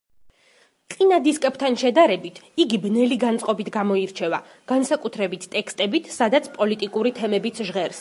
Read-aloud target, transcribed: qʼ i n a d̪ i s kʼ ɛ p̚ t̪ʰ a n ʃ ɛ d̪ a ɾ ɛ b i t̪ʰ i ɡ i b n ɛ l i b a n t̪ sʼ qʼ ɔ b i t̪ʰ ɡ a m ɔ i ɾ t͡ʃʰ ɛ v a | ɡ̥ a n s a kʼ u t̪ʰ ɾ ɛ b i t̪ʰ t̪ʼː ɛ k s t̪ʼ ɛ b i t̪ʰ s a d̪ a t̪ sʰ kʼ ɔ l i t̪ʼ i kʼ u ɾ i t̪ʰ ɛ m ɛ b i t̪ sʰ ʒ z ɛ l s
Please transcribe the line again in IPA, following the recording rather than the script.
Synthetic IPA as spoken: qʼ i n a d̪ i s kʼ ɛ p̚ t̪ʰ a n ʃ ɛ d̪ a ɾ ɛ b i t̪ʰ i ɡ i b n ɛ l i ɡ a n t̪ sʼ qʼ ɔ b i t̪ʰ ɡ a m ɔ i ɾ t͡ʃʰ ɛ v a | ɡ̥ a n s a kʼ u t̪ʰ ɾ ɛ b i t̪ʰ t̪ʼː ɛ k s t̪ʼ ɛ b i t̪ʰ s a d̪ a t̪ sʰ pʼ ɔ l i t̪ʼ i kʼ u ɾ i t̪ʰ ɛ m ɛ b i t̪ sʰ ʒ ʁ ɛ ɾ s